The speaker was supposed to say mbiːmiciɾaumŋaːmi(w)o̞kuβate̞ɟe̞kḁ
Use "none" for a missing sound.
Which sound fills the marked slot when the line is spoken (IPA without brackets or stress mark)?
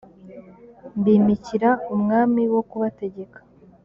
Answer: w